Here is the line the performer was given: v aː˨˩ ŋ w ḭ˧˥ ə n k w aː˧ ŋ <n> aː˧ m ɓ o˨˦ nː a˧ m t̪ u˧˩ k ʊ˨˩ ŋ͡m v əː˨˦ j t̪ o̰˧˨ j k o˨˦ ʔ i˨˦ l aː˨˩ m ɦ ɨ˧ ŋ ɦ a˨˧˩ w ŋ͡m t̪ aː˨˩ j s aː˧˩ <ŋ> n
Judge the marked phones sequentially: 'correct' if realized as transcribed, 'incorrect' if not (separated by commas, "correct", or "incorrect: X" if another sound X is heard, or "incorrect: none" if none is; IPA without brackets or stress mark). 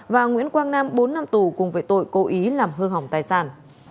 correct, incorrect: none